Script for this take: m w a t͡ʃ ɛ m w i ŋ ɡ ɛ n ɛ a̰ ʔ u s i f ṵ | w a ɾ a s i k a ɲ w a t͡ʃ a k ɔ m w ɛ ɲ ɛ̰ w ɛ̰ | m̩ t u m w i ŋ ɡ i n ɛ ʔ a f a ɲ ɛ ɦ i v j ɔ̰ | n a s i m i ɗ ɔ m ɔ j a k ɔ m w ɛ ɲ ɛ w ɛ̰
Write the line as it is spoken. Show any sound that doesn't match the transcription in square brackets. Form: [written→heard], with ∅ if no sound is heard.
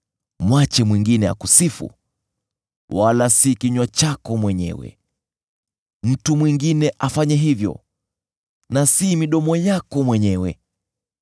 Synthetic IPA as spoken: m w a t͡ʃ ɛ m w i ŋ ɡ [ɛ→i] n ɛ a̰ [ʔ→k] u s i f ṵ | w a [ɾ→l] a s i k [a→i] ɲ w a t͡ʃ a k ɔ m w ɛ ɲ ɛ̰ w ɛ̰ | m̩ t u m w i ŋ ɡ i n ɛ ʔ a f a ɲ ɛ ɦ i v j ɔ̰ | n a s i m i ɗ ɔ m ɔ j a k ɔ m w ɛ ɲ ɛ w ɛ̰